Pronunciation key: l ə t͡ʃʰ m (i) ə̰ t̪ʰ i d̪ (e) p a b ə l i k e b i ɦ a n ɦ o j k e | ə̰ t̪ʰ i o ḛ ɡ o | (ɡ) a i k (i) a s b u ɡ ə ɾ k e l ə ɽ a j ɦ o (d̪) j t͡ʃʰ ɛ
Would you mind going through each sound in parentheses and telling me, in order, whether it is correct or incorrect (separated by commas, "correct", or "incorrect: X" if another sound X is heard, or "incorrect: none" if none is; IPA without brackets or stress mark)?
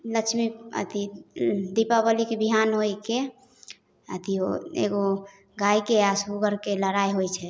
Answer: correct, incorrect: i, correct, incorrect: e, incorrect: none